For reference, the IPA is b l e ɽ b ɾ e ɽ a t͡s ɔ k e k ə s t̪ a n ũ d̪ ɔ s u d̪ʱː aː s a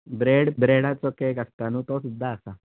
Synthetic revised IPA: b ɾ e ɽ b ɾ e ɽ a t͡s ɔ k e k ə s t̪ a n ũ t̪ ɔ s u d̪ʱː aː s a